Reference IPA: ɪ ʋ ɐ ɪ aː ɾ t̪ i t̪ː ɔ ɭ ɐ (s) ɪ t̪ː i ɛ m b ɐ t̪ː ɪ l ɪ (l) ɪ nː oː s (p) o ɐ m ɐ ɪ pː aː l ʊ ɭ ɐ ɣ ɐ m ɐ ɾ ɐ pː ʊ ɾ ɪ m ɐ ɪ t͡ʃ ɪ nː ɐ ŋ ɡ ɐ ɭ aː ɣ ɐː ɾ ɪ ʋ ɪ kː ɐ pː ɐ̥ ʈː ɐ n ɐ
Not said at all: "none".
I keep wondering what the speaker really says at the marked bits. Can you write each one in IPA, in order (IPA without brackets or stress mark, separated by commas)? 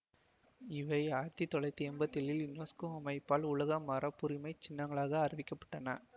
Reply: none, l, k